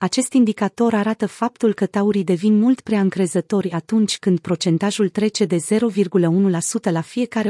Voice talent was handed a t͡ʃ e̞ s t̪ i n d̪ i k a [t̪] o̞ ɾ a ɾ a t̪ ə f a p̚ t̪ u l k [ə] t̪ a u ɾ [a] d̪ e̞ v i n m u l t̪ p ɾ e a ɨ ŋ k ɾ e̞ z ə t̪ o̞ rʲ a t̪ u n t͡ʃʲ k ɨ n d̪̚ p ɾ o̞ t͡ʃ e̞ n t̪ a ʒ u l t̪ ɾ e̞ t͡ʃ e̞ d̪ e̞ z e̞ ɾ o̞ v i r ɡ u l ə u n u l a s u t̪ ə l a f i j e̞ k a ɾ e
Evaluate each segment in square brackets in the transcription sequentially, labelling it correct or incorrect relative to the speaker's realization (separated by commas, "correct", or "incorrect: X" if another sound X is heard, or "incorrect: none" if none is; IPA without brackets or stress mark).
correct, correct, incorrect: i